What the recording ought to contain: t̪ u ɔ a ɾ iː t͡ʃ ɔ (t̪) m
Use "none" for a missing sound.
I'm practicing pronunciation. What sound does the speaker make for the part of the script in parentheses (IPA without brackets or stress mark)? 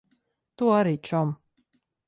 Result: none